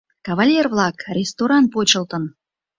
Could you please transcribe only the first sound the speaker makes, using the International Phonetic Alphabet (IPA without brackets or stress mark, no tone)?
k